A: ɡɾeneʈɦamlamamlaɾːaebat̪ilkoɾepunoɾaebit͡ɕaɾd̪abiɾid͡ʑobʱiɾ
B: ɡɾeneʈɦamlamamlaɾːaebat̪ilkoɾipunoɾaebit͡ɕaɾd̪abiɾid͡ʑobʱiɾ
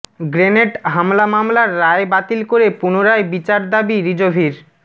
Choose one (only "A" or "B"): A